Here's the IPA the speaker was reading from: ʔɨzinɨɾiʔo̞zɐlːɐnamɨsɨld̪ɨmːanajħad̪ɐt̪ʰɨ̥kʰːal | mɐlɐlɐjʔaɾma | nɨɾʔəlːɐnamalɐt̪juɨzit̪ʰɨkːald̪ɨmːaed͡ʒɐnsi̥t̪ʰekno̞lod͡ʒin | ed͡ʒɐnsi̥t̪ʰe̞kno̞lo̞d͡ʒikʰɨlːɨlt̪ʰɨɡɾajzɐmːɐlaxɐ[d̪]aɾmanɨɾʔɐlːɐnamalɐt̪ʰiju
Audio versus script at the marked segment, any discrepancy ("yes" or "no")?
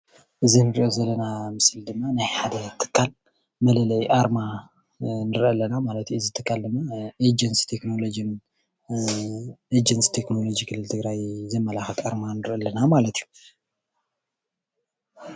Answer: yes